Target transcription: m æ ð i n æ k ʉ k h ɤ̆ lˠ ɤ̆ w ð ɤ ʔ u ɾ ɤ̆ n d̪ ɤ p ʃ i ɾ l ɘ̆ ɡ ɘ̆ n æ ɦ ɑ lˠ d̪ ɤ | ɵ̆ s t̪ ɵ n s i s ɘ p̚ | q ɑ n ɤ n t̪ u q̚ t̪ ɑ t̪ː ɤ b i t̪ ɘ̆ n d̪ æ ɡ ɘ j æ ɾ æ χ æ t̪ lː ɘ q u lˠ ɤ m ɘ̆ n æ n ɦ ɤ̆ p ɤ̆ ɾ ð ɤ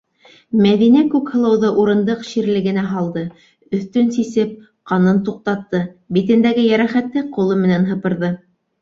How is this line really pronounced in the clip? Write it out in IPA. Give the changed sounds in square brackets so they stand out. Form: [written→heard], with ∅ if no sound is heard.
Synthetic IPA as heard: m æ ð i n æ k ʉ k h ɤ̆ lˠ ɤ̆ w ð ɤ ʔ u ɾ ɤ̆ n d̪ ɤ [p→q] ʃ i ɾ l ɘ̆ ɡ ɘ̆ n æ ɦ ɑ lˠ d̪ ɤ | ɵ̆ [s→θ] t̪ ɵ n s i s ɘ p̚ | q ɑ n ɤ n t̪ u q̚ t̪ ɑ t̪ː ɤ b i t̪ ɘ̆ n d̪ æ ɡ ɘ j æ ɾ æ χ æ t̪ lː ɘ q u lˠ ɤ m ɘ̆ n æ n ɦ ɤ̆ p ɤ̆ ɾ ð ɤ